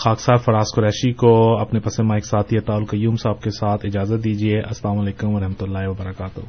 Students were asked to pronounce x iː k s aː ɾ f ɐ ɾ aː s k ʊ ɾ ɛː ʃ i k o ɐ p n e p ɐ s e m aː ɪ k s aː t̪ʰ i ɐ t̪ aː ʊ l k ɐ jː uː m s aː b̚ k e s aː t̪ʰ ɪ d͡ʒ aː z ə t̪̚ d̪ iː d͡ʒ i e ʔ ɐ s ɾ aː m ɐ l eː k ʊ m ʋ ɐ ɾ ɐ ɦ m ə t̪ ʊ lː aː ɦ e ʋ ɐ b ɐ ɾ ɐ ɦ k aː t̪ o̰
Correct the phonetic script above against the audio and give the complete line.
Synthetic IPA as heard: x aː k s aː ɾ f ɐ ɾ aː s k ʊ ɾ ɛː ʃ i k o ɐ p n e p ɐ s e m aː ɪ k s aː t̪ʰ i ɐ t̪ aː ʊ l k ɐ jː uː m s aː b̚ k e s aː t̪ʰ ɪ d͡ʒ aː z ə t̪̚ d̪ iː d͡ʒ i e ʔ ɐ s l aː m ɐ l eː k ʊ m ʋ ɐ ɾ ɐ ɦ m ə t̪ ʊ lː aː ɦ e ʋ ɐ b ɐ ɾ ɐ k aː t̪ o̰